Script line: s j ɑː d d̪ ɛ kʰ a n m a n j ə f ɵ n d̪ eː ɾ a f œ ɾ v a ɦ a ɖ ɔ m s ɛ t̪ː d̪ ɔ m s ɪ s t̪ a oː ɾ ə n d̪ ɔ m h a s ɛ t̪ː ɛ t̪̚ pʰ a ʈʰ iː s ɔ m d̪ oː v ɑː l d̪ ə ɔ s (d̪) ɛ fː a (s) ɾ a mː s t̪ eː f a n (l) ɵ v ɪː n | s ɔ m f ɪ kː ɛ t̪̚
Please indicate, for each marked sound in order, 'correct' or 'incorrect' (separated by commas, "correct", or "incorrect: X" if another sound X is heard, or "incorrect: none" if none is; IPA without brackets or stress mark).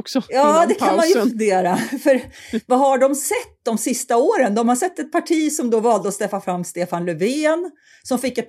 incorrect: t̪, incorrect: f, correct